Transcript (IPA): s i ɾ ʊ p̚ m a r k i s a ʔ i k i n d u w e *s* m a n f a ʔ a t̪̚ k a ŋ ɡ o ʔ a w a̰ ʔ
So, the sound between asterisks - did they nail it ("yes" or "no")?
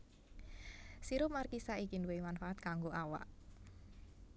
no